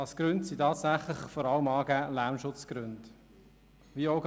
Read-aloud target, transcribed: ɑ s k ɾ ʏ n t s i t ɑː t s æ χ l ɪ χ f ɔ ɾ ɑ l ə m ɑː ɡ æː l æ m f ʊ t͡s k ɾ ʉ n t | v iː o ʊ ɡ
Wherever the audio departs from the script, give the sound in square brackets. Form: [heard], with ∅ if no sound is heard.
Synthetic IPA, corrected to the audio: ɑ s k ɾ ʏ n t s i t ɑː t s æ χ l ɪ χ f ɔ ɾ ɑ l ə m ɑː ɡ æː l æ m [ʃ] ʊ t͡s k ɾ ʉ n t | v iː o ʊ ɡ